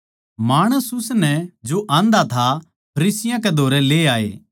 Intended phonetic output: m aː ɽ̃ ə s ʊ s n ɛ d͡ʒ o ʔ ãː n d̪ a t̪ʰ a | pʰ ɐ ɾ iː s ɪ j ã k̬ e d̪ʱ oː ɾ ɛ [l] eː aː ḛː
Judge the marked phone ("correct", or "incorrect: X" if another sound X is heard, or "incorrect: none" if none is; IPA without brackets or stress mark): correct